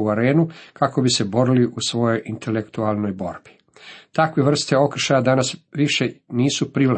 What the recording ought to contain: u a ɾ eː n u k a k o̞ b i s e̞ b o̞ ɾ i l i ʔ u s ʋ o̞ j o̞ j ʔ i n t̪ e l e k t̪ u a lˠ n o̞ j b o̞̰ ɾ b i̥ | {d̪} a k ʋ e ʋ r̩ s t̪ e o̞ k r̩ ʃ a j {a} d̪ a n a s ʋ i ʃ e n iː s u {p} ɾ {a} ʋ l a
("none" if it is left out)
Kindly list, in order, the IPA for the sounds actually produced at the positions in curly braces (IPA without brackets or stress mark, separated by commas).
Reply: t̪, a, p, i